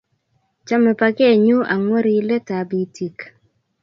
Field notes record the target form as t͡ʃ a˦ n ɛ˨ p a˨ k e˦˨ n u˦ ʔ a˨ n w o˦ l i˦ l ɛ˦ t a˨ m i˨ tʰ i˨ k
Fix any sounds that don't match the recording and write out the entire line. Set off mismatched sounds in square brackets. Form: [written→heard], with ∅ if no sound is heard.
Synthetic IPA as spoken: t͡ʃ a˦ [n→m] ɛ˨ p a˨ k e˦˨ [n→ɲ] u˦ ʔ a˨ [n→ŋ] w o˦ [l→ɾ] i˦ l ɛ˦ t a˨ [m→b] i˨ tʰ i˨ k